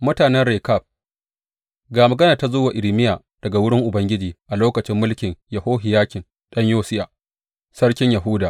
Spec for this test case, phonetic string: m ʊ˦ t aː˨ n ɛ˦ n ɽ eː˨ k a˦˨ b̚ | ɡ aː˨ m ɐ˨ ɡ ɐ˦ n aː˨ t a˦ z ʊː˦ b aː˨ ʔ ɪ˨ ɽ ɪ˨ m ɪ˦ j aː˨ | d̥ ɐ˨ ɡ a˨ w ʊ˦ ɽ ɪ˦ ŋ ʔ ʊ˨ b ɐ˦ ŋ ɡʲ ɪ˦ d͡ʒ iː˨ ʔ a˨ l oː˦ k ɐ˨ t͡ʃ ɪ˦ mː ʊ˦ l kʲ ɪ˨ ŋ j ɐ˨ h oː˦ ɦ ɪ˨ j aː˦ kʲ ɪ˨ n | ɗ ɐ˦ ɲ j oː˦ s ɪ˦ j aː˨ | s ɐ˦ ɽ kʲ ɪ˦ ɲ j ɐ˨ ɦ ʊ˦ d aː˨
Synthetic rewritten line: m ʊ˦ t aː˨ n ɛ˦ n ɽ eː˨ k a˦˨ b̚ | ɡ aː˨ m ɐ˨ ɡ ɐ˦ n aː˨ t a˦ z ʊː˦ w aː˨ ʔ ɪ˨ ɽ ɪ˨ m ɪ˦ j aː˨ | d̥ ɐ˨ ɡ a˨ w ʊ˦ ɽ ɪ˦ ŋ ʔ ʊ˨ b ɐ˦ ŋ ɡʲ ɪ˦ d͡ʒ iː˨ ʔ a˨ l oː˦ k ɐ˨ t͡ʃ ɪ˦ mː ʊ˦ l kʲ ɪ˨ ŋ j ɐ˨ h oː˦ ɦ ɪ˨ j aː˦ kʲ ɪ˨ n | ɗ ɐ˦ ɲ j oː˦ s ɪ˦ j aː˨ | s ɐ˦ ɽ kʲ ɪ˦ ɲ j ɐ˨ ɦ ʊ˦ d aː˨